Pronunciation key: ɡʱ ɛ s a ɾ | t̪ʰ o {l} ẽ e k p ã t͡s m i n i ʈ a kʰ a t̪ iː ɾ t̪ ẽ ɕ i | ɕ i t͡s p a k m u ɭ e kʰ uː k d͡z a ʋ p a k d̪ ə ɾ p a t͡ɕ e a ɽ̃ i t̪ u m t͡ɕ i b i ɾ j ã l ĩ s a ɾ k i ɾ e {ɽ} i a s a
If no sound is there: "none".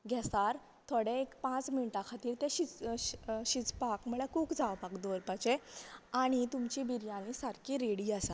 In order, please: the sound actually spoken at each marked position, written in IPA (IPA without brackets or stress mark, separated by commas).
ɽ, ɽ